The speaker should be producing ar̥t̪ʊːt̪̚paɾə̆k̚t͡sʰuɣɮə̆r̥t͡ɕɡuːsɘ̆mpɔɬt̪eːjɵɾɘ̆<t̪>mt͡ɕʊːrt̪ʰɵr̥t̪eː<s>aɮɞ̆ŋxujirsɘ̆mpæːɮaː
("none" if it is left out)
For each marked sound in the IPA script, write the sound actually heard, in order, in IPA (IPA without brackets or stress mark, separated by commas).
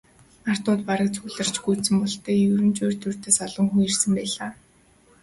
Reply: none, s